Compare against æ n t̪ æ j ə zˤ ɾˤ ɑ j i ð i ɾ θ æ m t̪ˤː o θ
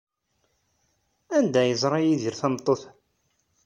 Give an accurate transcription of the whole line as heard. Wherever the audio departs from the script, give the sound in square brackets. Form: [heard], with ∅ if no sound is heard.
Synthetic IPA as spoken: æ n [d̪] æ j ə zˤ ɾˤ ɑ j i ð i ɾ θ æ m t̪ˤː o θ